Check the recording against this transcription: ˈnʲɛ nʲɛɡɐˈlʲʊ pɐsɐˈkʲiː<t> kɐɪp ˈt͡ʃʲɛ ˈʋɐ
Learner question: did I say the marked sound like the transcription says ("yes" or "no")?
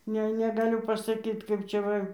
yes